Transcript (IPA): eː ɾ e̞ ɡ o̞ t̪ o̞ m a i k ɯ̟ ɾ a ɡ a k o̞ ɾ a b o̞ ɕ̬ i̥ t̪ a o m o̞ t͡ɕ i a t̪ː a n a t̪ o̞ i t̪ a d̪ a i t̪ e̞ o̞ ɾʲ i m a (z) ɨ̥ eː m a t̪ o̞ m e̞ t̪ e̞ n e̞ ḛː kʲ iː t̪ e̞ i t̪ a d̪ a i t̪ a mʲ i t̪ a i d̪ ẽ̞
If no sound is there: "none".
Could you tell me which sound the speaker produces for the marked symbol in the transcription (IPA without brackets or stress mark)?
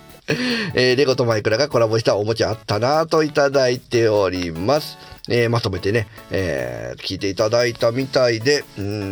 s